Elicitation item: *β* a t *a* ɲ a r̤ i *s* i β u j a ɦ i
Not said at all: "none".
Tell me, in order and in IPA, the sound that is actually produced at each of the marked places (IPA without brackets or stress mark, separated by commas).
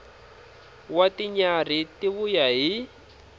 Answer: w, i, t